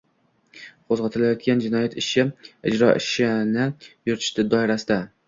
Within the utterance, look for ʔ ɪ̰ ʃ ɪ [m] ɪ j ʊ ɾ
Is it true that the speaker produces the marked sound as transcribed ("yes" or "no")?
no